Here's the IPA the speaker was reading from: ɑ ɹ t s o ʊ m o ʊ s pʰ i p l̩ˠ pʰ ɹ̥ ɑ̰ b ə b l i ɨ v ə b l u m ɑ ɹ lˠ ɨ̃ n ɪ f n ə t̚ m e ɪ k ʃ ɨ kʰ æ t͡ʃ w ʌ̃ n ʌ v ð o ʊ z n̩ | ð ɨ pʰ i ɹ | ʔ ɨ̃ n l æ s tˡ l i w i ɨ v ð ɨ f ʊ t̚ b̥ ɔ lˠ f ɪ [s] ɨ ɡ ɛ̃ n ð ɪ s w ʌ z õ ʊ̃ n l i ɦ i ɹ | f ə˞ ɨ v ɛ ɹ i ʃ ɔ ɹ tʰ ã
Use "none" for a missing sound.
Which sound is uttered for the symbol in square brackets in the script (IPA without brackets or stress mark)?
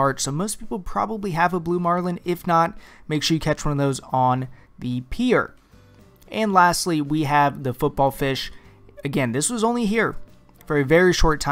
ʃ